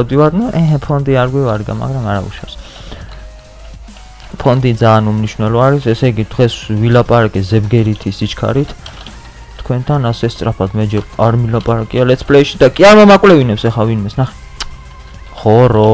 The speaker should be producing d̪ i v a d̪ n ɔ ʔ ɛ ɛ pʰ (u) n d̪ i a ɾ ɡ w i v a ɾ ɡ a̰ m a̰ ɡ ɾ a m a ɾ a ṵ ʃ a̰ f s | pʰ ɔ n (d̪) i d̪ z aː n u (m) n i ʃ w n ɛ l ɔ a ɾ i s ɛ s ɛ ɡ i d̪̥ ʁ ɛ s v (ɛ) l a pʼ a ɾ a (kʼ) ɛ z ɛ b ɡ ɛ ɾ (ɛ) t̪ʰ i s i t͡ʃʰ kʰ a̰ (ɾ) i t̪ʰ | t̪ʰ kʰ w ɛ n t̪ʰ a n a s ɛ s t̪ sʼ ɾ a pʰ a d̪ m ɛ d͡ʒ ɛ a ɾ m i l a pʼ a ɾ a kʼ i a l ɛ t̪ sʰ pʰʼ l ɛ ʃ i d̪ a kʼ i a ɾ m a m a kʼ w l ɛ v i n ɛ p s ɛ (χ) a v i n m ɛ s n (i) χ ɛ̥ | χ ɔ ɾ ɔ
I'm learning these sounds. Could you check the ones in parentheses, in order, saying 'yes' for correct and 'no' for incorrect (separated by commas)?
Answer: no, yes, yes, no, yes, no, yes, yes, no